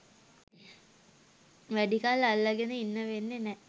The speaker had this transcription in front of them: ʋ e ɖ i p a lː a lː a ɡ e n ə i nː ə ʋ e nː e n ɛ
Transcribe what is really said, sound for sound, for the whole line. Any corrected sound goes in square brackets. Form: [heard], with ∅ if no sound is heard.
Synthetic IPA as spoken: ʋ [æ] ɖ i [k] a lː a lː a ɡ e n ə i nː ə ʋ e nː e n ɛ